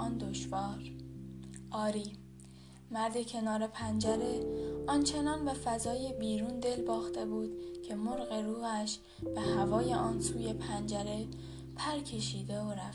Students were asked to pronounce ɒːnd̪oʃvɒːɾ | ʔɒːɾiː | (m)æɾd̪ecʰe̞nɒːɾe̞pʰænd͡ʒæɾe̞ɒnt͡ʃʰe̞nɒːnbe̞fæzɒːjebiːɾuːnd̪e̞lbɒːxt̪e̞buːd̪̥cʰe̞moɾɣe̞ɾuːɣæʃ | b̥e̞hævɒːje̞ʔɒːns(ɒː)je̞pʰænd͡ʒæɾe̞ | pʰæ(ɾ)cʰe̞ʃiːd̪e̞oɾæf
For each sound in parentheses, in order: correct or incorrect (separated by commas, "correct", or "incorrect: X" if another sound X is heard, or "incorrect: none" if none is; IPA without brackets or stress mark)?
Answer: correct, incorrect: uː, correct